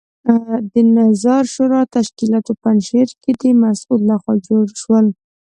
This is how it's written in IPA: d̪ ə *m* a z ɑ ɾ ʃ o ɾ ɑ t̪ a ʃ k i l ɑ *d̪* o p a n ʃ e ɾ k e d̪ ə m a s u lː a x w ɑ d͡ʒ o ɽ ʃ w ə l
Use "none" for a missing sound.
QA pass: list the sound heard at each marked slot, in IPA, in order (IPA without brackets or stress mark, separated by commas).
n, t̪